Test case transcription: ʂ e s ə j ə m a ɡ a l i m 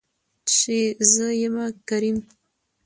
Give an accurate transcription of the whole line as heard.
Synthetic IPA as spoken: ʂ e z ə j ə m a k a ɾ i m